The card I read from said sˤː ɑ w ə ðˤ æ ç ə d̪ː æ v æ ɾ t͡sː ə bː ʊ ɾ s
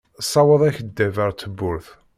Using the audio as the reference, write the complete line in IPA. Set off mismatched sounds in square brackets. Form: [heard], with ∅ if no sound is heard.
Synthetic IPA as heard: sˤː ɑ w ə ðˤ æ ç ə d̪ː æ v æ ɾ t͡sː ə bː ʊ ɾ [θ]